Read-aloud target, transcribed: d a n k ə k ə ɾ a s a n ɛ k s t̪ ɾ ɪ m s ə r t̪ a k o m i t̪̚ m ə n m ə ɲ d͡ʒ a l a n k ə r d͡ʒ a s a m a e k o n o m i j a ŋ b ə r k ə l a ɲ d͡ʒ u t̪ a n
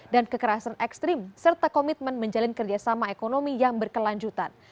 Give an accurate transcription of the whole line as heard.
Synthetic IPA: d a n k ə k ə ɾ a s a n ɛ k s t̪ ɾ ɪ m s ə r t̪ a k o m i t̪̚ m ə n m ə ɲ d͡ʒ a l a n k ə r d͡ʒ a s a m a e k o n o m i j a ŋ b ə r k ə l a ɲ d͡ʒ u t̪ a n